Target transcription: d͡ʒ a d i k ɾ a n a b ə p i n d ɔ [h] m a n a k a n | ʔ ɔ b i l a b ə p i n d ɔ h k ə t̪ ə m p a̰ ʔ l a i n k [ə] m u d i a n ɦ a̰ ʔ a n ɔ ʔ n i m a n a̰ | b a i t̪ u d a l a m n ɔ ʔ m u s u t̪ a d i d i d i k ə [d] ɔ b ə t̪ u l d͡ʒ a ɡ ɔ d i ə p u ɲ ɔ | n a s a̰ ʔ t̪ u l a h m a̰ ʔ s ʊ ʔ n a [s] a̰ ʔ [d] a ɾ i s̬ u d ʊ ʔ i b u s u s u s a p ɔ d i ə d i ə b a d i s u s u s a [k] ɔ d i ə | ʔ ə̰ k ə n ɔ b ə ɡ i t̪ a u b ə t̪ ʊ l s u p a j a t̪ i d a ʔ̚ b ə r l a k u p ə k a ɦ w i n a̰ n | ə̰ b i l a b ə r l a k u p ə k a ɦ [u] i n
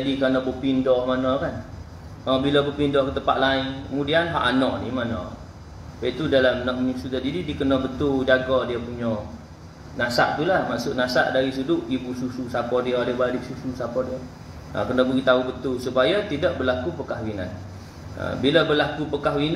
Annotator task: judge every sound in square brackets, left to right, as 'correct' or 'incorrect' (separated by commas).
correct, correct, incorrect, correct, correct, incorrect, incorrect